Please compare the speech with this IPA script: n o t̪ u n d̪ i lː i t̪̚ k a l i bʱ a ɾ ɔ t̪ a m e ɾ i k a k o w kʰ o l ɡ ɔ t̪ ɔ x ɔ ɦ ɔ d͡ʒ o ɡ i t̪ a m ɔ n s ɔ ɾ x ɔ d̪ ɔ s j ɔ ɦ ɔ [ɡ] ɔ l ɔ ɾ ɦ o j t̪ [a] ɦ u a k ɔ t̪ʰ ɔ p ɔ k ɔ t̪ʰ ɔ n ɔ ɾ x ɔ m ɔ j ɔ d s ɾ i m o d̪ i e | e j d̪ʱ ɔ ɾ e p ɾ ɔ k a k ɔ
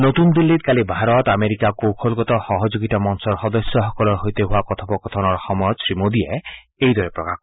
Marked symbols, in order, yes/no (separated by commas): no, no